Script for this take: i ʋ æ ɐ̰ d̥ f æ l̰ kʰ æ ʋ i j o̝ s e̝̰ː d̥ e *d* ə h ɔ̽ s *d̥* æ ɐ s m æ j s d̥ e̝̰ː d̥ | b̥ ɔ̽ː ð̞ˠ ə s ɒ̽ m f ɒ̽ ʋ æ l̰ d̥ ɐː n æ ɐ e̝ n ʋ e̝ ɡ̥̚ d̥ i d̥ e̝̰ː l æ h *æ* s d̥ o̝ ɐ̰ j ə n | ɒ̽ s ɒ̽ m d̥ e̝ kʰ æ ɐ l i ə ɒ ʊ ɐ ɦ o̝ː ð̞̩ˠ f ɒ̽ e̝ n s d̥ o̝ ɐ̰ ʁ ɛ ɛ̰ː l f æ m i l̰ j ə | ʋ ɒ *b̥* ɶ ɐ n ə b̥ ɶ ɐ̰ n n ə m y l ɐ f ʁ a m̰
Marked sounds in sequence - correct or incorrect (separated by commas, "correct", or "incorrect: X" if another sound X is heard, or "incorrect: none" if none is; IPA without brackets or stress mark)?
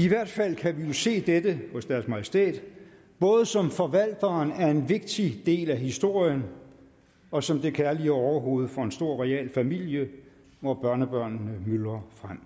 correct, correct, incorrect: i, correct